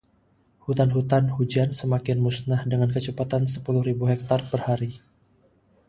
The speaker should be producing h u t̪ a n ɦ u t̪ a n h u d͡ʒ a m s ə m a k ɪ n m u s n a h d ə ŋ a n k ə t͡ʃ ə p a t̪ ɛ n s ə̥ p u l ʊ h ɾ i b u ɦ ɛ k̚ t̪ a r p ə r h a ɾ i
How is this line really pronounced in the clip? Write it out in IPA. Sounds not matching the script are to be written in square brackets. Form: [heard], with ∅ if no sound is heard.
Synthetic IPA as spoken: h u t̪ a n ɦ u t̪ a n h u d͡ʒ a [n] s ə m a k ɪ n m u s n a h d ə ŋ a n k ə t͡ʃ ə p a t̪ [a] n s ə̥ p u l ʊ h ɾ i b u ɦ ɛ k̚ t̪ a r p ə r h a ɾ i